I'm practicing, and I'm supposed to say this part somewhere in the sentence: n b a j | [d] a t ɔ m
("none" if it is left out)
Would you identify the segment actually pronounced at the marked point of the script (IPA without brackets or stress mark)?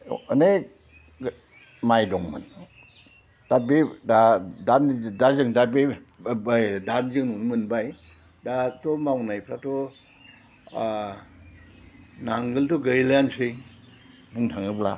d